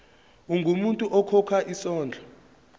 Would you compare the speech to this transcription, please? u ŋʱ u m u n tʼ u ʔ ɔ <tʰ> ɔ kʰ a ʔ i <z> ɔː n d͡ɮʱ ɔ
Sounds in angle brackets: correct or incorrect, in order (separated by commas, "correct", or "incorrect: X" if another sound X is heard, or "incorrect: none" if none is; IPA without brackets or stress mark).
incorrect: kʰ, incorrect: s